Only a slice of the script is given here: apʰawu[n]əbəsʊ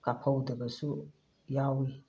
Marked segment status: incorrect: d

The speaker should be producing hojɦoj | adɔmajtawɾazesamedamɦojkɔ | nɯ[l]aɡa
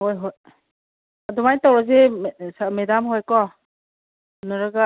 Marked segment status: incorrect: ɾ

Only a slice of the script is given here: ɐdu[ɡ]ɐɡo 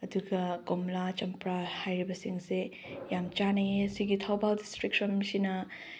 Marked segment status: correct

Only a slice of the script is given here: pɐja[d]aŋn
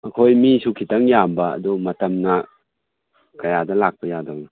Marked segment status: correct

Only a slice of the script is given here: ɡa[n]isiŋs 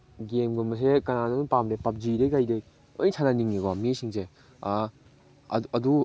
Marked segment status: incorrect: m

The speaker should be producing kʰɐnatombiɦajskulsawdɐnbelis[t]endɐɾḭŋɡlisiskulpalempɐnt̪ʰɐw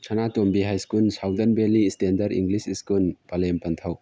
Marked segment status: correct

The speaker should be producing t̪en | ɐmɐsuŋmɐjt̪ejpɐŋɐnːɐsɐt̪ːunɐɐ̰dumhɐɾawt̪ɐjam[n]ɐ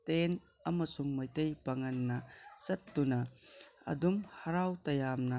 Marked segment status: correct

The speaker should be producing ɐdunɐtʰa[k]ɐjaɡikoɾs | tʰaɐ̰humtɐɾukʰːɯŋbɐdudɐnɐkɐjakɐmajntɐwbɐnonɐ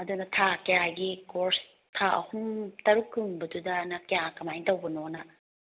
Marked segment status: correct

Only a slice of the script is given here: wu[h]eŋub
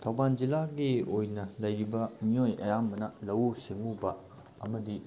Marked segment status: incorrect: s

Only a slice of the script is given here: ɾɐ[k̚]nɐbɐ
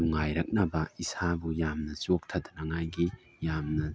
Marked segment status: correct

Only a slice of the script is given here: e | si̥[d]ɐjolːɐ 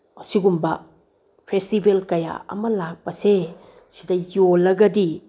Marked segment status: correct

